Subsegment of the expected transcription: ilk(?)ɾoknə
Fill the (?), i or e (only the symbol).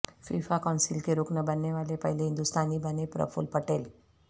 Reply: e